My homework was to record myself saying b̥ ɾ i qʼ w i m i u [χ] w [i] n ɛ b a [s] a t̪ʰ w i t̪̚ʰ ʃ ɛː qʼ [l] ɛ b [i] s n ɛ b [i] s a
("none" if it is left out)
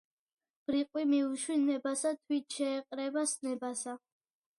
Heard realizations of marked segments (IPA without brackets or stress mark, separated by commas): ʃ, i, s, ɾ, a, a